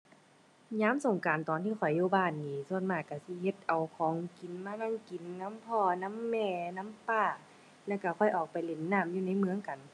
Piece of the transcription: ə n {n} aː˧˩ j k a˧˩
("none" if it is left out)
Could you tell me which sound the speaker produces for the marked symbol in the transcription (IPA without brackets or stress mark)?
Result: m